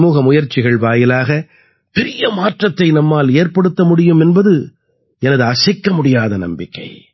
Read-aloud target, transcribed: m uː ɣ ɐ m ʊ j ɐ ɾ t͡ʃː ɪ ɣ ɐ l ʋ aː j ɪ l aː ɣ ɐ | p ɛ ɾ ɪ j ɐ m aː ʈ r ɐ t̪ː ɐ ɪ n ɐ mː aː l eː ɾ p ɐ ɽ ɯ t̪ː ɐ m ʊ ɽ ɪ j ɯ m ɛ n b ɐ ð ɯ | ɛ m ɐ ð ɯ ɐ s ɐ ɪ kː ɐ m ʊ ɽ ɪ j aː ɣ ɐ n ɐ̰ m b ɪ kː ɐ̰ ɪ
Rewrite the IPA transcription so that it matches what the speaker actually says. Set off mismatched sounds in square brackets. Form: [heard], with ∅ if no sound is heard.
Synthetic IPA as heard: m uː ɣ ɐ m ʊ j ɐ ɾ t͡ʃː ɪ ɣ ɐ [ɭ] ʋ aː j ɪ l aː ɣ ɐ | p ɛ ɾ ɪ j ɐ m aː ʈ r ɐ t̪ː ɐ ɪ n ɐ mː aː l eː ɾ p ɐ ɽ ɯ t̪ː ɐ m ʊ ɽ ɪ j ɯ m ɛ n b ɐ ð ɯ | ɛ [n] ɐ ð ɯ ɐ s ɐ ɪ kː ɐ m ʊ ɽ ɪ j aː [ð] ɐ n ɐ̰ m b ɪ kː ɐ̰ ɪ